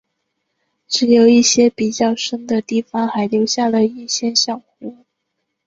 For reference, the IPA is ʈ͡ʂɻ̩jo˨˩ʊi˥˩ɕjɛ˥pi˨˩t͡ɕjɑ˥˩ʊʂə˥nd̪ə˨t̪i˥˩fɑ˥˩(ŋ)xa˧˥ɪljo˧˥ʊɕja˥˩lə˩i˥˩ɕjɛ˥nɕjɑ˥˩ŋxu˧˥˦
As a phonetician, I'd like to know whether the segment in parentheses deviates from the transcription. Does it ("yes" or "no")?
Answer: no